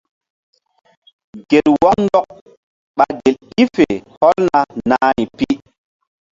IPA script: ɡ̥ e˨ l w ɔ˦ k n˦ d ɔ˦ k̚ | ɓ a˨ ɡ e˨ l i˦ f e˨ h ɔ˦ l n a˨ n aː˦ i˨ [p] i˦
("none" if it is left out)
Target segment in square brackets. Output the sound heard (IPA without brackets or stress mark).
p